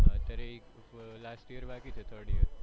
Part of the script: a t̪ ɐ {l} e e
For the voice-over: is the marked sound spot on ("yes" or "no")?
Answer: no